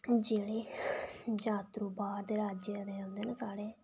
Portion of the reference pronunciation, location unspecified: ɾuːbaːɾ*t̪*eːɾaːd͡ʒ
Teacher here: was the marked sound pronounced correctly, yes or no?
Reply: no